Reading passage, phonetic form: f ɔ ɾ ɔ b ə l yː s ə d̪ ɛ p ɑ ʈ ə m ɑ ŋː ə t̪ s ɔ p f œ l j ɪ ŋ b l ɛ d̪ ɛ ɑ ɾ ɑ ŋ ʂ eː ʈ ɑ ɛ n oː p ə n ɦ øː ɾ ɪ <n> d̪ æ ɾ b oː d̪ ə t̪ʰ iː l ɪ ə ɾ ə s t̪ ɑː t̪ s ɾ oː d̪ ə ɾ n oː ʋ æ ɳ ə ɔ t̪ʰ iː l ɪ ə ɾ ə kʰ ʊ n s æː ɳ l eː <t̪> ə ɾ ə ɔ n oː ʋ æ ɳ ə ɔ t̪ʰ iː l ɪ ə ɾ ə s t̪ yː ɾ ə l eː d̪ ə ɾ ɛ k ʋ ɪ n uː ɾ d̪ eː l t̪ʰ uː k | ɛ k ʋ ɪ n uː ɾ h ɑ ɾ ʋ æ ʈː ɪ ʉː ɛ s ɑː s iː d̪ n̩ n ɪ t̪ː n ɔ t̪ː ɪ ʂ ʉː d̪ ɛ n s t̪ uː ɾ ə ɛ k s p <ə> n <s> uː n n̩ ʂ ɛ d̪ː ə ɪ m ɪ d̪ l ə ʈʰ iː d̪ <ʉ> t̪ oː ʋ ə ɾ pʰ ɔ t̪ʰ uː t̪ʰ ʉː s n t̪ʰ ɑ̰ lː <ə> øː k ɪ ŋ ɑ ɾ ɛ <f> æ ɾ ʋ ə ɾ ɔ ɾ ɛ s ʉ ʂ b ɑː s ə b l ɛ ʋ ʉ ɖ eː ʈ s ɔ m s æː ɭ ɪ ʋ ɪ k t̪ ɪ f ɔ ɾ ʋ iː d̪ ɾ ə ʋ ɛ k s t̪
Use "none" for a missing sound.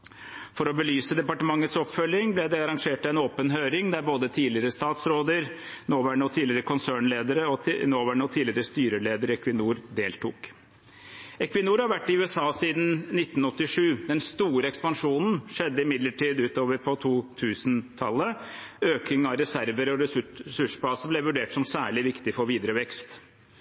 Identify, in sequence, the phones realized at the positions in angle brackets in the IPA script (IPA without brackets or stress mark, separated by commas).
ŋ, d̪, ɑ, ʂ, ʉː, ə, s